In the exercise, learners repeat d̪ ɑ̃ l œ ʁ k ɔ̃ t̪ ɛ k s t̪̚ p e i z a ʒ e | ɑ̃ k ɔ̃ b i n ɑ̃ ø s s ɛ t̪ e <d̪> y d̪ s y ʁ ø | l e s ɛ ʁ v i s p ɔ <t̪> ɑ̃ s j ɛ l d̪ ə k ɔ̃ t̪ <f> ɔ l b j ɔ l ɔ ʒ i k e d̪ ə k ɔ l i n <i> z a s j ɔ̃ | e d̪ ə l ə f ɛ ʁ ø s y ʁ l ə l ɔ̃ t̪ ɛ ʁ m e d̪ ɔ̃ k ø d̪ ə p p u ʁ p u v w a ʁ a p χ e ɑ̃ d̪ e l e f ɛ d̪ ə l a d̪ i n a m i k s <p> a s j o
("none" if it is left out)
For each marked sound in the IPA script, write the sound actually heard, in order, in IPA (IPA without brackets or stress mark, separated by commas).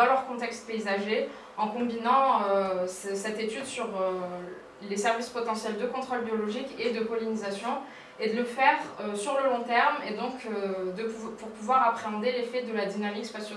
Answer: t̪, t̪, χ, i, p